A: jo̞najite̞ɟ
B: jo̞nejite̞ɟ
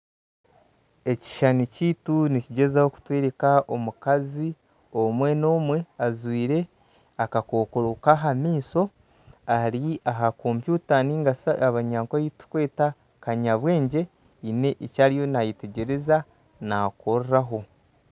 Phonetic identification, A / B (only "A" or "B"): A